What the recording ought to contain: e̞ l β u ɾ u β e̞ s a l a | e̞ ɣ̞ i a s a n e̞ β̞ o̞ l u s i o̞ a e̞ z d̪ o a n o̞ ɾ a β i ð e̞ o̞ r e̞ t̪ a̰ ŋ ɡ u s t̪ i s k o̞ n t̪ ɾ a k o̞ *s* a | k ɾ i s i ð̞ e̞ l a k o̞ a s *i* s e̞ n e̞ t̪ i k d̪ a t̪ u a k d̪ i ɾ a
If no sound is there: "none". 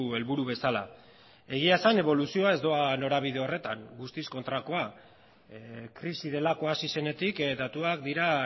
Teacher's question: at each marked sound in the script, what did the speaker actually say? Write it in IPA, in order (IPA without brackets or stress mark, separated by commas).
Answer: none, i